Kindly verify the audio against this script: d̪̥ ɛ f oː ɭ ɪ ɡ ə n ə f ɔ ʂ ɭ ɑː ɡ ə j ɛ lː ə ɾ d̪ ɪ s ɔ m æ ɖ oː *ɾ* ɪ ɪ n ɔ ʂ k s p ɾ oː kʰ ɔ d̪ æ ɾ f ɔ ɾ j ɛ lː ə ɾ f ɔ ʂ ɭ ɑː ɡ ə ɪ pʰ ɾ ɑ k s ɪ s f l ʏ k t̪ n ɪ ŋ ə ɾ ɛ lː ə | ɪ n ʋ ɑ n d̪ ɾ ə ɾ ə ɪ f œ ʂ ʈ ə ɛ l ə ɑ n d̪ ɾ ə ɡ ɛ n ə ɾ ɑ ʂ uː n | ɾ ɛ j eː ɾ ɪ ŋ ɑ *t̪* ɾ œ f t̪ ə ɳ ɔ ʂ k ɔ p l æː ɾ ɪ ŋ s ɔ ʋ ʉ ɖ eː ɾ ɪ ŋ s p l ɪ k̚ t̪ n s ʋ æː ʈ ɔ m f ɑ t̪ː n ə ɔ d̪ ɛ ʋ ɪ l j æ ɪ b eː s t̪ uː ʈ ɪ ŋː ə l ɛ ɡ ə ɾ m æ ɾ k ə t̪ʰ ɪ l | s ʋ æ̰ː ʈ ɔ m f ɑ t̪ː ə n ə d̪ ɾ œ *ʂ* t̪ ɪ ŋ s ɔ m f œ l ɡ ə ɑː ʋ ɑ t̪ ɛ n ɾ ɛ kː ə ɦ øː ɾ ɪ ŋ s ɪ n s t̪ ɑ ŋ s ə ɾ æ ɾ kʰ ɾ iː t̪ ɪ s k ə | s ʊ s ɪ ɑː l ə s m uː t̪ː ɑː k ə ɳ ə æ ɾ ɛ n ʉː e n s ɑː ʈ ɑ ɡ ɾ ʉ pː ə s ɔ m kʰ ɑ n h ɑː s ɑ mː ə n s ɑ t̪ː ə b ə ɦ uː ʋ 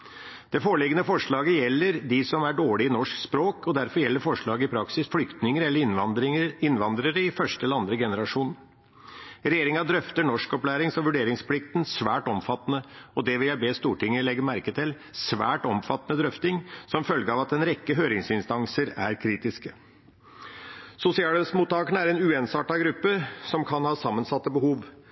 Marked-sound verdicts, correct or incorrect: incorrect, incorrect, incorrect

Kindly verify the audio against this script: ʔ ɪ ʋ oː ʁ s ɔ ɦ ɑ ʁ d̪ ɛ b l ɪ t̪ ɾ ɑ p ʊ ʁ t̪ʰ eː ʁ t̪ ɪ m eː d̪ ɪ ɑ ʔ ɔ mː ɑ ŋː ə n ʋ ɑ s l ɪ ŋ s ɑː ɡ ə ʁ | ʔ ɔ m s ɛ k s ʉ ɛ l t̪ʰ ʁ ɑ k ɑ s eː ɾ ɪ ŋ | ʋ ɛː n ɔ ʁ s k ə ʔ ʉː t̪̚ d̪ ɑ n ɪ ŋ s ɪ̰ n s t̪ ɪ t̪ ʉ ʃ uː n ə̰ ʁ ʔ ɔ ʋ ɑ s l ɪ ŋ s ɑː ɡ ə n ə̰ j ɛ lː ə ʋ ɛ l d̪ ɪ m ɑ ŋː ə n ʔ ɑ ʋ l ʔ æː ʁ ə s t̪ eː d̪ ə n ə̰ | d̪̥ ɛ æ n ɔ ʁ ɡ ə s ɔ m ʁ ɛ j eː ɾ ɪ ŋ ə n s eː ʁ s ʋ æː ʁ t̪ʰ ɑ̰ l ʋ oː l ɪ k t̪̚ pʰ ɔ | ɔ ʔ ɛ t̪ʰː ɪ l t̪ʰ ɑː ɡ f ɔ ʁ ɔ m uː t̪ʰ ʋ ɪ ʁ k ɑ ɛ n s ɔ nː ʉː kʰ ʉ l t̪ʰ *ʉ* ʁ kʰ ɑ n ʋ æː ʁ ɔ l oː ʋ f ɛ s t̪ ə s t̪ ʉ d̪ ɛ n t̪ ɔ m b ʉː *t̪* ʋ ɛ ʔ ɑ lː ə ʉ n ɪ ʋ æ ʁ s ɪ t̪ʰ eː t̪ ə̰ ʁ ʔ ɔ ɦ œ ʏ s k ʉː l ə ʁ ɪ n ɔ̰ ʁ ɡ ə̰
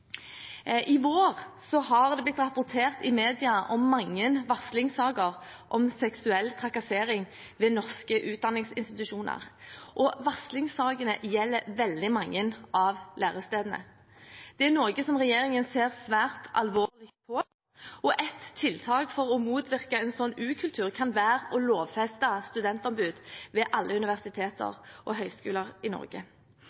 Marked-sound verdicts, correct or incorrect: incorrect, incorrect

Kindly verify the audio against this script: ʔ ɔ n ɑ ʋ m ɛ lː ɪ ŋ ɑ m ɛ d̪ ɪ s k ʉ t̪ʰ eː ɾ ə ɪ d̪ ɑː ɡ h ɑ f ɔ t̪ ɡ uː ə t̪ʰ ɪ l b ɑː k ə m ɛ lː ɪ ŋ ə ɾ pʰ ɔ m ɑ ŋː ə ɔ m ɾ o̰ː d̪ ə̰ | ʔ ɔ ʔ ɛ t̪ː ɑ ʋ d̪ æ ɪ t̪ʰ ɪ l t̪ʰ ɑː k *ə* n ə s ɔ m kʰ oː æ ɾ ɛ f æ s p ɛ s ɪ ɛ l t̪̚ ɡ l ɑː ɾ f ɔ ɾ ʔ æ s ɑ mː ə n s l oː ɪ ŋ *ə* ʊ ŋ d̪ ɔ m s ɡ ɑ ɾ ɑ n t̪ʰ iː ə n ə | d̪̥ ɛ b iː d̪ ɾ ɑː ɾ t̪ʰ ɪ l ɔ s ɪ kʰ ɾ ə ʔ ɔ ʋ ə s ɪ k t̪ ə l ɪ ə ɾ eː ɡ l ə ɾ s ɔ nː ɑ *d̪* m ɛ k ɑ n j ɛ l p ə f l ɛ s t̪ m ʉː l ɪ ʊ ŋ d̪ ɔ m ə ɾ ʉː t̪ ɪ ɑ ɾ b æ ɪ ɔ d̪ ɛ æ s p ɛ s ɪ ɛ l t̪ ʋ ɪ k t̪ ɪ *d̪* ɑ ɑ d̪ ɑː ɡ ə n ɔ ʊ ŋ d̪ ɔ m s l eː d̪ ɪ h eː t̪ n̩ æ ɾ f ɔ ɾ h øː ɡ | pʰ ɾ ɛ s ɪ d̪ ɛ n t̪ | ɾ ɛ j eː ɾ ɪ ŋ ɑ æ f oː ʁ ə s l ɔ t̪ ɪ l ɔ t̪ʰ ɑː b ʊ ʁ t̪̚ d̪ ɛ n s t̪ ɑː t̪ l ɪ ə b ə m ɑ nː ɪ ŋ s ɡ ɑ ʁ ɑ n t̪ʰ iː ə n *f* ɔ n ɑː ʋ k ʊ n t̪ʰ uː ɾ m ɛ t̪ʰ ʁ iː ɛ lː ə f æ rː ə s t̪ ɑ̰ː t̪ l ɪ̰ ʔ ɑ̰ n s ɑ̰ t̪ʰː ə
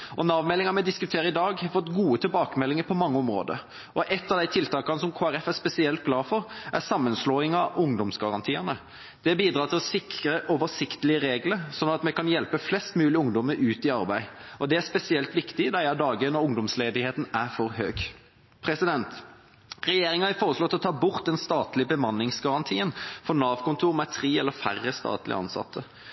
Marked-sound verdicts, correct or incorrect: incorrect, incorrect, incorrect, correct, correct

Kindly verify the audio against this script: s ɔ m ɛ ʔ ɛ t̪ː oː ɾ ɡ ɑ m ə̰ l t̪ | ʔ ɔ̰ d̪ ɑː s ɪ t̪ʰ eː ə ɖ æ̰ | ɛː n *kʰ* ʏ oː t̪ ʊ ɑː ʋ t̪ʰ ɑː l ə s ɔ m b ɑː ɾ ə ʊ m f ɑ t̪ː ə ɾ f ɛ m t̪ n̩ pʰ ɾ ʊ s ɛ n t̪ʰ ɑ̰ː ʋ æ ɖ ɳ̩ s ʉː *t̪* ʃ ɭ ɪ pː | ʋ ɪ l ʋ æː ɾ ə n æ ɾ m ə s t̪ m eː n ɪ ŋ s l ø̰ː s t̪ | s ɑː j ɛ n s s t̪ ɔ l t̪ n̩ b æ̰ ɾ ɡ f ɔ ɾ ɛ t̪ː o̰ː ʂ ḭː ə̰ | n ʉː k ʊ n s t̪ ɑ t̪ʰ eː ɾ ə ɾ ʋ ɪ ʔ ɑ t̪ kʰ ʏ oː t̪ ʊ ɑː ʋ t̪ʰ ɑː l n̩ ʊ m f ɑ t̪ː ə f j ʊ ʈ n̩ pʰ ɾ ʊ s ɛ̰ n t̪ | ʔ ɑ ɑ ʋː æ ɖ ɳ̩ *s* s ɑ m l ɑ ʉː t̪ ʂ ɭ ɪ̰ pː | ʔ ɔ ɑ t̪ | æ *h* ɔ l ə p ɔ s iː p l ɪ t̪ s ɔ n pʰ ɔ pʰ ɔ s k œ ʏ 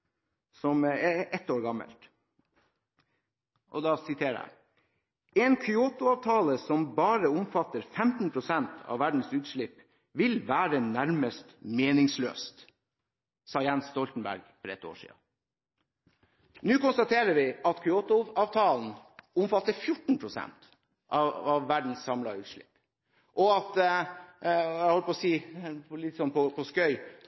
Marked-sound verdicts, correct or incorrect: correct, correct, correct, correct

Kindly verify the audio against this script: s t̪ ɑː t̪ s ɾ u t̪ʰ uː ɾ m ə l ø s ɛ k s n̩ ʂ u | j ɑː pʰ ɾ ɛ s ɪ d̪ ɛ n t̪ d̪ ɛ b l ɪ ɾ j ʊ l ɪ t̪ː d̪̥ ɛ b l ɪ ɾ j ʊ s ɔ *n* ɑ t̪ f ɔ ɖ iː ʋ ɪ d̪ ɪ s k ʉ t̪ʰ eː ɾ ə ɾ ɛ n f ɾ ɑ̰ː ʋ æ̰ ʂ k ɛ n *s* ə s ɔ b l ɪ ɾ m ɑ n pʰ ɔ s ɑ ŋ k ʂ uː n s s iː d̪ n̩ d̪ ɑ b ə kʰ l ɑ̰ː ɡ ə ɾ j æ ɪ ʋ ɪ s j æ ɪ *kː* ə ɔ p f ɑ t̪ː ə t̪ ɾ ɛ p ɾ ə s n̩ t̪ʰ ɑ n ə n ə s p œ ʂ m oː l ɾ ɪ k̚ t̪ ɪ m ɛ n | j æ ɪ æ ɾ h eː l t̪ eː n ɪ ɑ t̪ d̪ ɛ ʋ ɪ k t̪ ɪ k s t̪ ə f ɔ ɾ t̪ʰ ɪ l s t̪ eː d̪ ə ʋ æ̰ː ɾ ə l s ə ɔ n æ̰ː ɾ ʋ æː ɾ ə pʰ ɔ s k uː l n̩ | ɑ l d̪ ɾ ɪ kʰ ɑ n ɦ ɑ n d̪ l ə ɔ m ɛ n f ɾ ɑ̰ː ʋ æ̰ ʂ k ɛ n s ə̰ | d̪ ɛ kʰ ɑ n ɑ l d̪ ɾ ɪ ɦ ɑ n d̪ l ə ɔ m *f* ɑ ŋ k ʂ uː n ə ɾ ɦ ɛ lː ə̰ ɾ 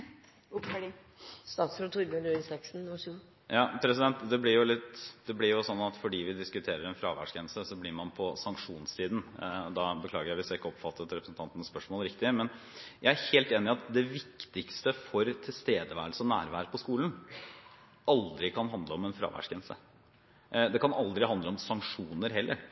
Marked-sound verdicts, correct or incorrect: incorrect, correct, correct, incorrect

